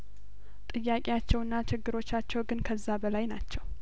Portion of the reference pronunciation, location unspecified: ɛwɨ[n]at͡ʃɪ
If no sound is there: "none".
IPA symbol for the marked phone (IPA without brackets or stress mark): nː